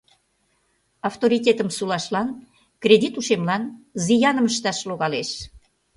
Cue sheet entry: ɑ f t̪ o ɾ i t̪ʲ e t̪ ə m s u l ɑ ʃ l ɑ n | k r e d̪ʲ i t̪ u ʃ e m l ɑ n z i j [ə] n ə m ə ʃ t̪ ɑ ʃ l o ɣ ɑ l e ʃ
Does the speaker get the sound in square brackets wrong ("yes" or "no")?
yes